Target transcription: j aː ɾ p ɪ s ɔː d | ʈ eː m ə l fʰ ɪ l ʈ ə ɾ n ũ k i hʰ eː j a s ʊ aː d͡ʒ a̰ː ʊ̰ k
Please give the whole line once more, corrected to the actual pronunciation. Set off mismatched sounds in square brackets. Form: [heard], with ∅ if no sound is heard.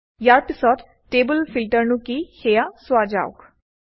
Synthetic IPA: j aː ɾ p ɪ s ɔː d | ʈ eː [b] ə l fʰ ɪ l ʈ ə ɾ n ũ k i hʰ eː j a s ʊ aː d͡ʒ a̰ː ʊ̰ k